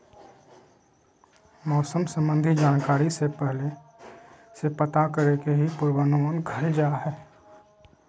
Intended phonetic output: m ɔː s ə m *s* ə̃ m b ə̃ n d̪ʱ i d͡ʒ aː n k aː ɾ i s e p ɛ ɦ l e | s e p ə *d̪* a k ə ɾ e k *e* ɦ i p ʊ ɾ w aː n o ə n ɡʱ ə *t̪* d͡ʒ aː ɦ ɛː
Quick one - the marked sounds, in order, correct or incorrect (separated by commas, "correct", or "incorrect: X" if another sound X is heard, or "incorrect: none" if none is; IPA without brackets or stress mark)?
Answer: correct, incorrect: t̪, correct, incorrect: none